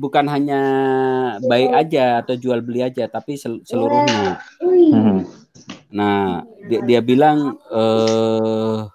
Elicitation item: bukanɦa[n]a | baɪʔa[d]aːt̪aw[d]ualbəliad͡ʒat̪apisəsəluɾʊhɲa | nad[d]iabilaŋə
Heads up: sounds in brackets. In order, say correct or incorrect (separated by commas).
incorrect, incorrect, incorrect, correct